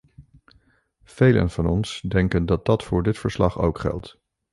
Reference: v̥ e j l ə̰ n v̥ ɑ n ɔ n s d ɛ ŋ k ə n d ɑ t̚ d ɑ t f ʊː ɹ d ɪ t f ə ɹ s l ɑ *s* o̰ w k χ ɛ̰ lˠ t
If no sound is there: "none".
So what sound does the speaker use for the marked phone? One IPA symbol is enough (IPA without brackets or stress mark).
χ